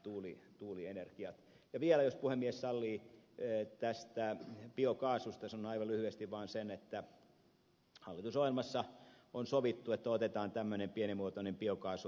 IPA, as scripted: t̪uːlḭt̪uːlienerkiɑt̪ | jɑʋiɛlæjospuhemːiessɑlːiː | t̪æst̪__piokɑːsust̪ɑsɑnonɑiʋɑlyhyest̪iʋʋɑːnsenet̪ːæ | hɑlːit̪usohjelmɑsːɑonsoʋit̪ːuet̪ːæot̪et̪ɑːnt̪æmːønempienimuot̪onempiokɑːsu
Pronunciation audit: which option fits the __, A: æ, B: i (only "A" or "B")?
A